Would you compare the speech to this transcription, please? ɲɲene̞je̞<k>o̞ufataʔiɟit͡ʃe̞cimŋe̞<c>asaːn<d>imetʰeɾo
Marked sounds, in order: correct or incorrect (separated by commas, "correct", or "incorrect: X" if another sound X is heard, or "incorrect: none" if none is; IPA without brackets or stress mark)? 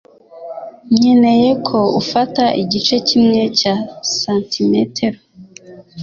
incorrect: kʰ, correct, incorrect: t